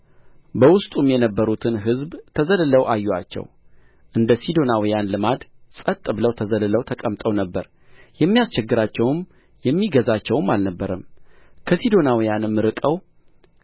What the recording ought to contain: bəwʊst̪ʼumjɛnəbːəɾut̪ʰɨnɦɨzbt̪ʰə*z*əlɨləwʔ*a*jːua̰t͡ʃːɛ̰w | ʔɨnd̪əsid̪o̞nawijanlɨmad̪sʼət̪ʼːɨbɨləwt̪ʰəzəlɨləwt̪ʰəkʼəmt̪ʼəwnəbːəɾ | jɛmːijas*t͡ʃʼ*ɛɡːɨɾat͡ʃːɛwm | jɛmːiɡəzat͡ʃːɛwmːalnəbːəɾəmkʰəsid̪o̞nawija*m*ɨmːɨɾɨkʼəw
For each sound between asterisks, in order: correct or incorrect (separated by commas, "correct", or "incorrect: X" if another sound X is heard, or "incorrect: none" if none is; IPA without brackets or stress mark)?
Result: correct, correct, incorrect: t͡ʃ, incorrect: n